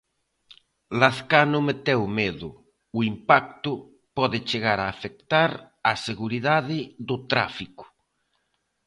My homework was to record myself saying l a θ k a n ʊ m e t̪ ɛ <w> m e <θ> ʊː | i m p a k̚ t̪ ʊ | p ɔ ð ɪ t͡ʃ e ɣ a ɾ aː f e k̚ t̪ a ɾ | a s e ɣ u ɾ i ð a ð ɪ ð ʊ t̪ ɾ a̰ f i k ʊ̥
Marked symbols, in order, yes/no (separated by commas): yes, no